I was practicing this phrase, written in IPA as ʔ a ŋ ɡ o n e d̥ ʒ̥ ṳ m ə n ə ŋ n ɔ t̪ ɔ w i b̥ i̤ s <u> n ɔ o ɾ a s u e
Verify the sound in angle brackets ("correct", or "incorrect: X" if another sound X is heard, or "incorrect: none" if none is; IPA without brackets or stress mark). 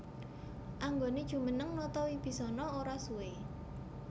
incorrect: ɔ